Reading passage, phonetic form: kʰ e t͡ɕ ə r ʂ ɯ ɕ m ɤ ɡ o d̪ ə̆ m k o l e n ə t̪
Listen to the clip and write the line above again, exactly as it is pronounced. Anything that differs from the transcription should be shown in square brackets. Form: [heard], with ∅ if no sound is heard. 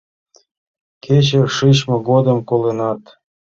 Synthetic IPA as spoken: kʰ e t͡ɕ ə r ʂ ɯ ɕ m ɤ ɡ o d̪ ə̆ m k o l e n [ɑ] t̪